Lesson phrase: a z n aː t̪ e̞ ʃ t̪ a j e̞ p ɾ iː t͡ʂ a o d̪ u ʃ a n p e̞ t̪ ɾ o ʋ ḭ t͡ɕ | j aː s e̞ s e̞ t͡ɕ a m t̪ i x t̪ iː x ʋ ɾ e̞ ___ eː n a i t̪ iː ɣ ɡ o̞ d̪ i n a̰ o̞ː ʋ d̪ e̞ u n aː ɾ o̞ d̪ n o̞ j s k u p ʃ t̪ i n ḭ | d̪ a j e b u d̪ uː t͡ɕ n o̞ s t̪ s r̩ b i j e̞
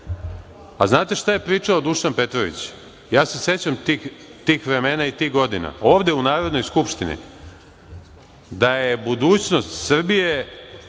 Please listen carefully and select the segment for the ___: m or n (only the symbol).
m